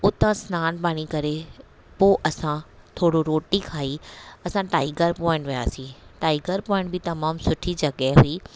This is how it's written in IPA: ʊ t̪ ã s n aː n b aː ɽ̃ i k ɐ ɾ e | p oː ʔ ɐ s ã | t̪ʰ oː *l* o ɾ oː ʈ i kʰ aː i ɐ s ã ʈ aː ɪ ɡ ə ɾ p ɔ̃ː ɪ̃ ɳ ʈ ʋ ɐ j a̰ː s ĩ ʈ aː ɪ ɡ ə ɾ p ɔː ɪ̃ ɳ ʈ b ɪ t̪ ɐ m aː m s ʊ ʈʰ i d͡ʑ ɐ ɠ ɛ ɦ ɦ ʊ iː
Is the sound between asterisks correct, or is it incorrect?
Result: incorrect: ɽ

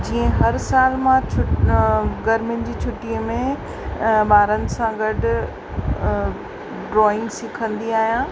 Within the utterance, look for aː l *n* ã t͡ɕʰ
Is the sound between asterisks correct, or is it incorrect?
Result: incorrect: m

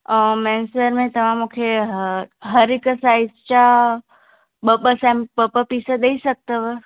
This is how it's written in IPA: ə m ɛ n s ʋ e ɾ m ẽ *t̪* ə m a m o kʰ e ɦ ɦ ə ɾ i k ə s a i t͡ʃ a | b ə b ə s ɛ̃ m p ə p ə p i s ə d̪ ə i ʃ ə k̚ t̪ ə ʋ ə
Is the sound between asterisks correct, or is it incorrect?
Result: correct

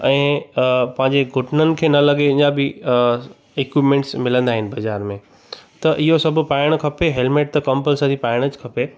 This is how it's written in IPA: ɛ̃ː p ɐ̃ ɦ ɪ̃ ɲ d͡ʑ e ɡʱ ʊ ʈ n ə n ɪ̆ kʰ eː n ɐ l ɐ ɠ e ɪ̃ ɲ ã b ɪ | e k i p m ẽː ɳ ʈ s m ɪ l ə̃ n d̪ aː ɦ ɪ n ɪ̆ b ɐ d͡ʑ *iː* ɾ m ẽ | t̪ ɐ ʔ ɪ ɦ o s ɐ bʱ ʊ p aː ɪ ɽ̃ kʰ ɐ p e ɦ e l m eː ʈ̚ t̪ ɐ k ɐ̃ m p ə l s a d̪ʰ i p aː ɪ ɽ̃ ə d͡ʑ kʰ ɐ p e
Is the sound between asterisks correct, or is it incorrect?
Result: incorrect: aː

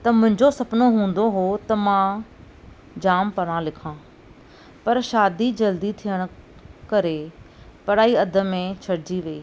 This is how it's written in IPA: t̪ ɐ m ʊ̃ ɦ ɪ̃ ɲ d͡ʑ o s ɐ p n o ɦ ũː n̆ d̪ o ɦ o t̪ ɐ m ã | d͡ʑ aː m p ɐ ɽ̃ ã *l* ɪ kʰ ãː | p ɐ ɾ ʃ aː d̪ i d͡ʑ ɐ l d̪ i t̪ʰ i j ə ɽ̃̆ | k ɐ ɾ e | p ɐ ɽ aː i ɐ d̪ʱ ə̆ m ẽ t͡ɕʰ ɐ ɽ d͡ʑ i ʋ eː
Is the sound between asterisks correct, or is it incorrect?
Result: correct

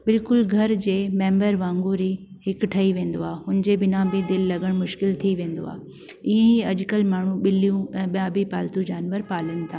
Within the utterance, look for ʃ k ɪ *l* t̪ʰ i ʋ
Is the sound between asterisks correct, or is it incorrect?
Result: correct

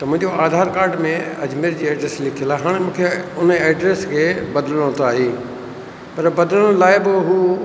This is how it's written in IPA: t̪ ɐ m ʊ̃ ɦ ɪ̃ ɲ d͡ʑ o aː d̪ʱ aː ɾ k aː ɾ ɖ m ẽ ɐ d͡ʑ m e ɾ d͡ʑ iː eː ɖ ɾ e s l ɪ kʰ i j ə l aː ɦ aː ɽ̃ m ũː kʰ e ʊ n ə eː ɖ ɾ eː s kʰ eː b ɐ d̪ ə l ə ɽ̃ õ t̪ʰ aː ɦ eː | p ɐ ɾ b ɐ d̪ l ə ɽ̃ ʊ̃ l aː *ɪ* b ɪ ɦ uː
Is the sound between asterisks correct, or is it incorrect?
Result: correct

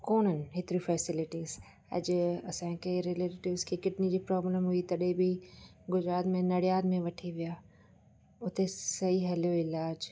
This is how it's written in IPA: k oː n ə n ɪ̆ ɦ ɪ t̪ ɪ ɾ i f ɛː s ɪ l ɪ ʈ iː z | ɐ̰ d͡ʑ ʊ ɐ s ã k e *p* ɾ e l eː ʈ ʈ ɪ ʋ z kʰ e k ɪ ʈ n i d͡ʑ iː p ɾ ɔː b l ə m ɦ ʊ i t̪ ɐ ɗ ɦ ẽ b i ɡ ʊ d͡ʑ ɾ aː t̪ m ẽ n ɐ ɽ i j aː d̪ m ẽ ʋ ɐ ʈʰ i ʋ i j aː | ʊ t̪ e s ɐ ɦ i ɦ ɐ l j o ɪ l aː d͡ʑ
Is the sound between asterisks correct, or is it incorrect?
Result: incorrect: none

